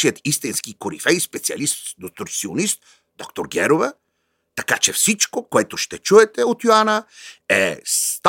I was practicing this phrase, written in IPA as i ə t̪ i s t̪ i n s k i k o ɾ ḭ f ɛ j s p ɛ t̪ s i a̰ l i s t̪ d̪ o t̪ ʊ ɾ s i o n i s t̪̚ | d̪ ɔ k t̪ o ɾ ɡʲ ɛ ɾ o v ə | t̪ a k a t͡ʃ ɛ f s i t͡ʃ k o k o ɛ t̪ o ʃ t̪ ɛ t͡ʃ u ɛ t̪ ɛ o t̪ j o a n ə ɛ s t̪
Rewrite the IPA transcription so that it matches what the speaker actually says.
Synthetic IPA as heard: i ə t̪ i s t̪ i n s k i k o ɾ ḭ f ɛ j s p ɛ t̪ s i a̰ l i s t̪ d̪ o t̪ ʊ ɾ s i o n i s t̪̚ | d̪ ɔ k t̪ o ɾ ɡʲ ɛ ɾ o v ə | t̪ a k a t͡ʃ ɛ f s i t͡ʃ k o k o ɛ t̪ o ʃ t̪ ɛ t͡ʃ u ɛ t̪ ɛ o t̪ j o a n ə ɛ s t̪